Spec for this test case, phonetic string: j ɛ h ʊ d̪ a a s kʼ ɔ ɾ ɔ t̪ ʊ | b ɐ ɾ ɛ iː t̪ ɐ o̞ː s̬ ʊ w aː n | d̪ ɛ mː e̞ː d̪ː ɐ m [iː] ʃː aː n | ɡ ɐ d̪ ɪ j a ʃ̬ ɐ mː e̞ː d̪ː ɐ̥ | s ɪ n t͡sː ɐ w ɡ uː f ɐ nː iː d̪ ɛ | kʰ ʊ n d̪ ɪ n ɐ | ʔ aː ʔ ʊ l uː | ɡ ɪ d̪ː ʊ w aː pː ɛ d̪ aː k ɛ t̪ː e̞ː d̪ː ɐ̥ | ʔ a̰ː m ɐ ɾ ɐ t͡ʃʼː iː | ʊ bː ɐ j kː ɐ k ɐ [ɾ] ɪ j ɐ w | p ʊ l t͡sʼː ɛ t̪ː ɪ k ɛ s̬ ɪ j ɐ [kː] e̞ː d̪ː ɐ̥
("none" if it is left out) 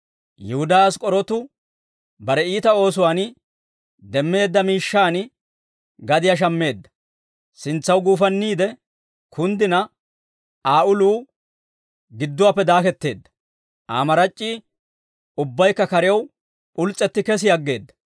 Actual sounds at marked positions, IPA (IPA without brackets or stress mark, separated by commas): iː, ɾ, ɡː